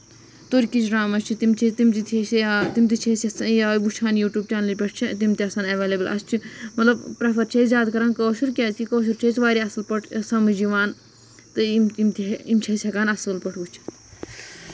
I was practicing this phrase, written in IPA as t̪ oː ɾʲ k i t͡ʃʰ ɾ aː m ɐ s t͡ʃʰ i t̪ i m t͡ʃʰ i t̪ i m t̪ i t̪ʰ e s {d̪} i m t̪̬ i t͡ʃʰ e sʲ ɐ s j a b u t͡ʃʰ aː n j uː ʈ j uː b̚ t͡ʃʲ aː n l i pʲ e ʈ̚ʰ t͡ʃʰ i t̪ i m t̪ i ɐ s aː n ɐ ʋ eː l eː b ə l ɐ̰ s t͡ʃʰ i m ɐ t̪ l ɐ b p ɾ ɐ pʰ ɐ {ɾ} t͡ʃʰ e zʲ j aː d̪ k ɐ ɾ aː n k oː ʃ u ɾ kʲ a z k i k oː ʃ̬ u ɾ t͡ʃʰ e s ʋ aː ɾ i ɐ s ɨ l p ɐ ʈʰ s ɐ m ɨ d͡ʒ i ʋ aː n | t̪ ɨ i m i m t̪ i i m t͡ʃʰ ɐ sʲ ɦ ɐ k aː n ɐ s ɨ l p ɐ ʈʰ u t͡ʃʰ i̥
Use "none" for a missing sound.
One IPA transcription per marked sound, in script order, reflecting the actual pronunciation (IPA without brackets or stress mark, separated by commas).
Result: t̪, ɾ